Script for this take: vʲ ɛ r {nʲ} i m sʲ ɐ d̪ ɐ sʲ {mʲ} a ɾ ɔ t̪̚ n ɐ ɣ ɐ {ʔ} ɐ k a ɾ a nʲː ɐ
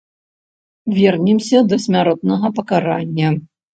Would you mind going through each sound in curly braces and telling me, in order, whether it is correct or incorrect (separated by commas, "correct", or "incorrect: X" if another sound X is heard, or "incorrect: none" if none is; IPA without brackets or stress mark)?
correct, correct, incorrect: p